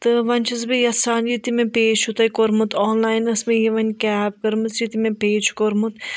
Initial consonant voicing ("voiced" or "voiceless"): voiceless